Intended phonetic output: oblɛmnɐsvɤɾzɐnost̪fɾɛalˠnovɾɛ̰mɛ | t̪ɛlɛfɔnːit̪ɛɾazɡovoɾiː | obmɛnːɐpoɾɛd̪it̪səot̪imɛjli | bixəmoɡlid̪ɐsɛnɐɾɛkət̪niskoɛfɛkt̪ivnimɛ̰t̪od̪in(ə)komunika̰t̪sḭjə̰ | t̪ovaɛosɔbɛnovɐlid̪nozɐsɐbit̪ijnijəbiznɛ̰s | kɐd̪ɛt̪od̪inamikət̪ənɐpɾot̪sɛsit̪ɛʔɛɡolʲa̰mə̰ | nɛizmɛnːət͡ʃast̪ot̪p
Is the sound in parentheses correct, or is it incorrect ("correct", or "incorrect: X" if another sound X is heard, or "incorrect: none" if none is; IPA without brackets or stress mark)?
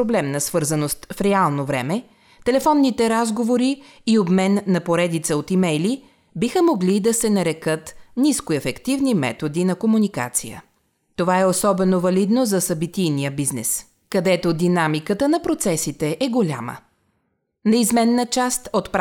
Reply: incorrect: ɐ